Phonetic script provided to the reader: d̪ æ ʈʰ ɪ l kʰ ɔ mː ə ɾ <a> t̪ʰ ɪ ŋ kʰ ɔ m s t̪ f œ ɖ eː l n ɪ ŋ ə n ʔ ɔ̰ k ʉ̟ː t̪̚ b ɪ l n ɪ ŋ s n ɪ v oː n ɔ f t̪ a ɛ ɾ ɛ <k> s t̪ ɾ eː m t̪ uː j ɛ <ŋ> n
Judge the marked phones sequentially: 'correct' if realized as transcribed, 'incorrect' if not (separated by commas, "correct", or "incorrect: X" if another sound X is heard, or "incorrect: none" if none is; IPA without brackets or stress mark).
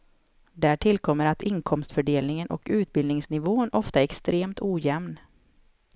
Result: correct, correct, incorrect: m